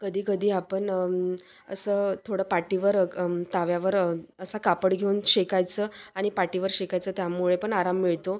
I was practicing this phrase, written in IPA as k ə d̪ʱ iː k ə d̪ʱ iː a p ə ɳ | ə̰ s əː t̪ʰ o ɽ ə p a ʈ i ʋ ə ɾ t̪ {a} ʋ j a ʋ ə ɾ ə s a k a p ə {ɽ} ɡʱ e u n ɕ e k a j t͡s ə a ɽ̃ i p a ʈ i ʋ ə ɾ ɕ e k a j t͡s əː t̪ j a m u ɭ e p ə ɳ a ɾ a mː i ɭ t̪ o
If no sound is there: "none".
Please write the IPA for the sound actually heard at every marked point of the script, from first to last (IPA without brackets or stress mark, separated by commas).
a, ɽ